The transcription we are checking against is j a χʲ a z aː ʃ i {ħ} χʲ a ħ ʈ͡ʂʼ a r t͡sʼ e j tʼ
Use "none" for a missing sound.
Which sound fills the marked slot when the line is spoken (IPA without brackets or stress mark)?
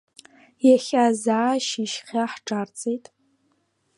ʃ